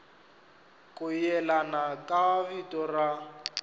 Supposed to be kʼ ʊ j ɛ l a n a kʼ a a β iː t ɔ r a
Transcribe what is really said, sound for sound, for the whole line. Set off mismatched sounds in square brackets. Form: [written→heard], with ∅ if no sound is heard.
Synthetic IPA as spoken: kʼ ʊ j ɛ l a n a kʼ a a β [iː→i] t ɔ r a